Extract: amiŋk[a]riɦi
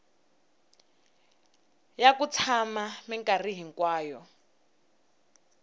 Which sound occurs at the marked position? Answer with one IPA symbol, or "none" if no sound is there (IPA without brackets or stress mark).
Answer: a